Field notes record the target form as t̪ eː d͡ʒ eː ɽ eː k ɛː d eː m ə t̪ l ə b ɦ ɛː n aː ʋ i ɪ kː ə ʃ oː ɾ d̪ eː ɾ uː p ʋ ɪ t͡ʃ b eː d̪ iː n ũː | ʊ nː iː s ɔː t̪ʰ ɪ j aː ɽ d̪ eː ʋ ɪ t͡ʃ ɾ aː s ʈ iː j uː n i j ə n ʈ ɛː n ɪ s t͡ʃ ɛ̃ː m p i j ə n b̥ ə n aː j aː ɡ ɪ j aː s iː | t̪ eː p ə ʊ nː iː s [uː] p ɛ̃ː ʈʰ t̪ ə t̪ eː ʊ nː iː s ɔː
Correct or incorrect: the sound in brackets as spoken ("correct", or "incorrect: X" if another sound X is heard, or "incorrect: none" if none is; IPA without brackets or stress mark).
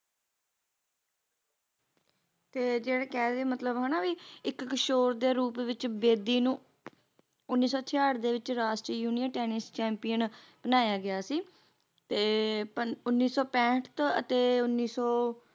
incorrect: ɔː